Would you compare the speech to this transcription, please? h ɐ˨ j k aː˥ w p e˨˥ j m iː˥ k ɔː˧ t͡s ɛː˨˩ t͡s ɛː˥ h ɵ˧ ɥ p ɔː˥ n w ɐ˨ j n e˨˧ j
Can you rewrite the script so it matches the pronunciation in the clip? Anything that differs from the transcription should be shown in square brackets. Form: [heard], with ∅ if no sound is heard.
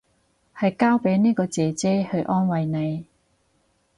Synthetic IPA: h ɐ˨ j k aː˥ w p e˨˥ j [n] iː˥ k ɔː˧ t͡s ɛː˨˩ t͡s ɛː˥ h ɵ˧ ɥ [ʔ] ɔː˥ n w ɐ˨ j n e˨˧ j